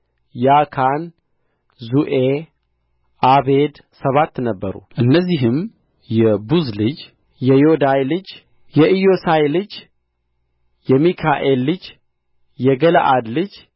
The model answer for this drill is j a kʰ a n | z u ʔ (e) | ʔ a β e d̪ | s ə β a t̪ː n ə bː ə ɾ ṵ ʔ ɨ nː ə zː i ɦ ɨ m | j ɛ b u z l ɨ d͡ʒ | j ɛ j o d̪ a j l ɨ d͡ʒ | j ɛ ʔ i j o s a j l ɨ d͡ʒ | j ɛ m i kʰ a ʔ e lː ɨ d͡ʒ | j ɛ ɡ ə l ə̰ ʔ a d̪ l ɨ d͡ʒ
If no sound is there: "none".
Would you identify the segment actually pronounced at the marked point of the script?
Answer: e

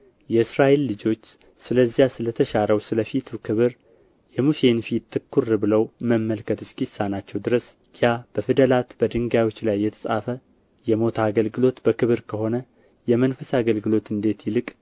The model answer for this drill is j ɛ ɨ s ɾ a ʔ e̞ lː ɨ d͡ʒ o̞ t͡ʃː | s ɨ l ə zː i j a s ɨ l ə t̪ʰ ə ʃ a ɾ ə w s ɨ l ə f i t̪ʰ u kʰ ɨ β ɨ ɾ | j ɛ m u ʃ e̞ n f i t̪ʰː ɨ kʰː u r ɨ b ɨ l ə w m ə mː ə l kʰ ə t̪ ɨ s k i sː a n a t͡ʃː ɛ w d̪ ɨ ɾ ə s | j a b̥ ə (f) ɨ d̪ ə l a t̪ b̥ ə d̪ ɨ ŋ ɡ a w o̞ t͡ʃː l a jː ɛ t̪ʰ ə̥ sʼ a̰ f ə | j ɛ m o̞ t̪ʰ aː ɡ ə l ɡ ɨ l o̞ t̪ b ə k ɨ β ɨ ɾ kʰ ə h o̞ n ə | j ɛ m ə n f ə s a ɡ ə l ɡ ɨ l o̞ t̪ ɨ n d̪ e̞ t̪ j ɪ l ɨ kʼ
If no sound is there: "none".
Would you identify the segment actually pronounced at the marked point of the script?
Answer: f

